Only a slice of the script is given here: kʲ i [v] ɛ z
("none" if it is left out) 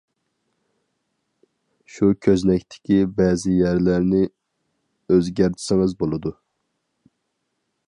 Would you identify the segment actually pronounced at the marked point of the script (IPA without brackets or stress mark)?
b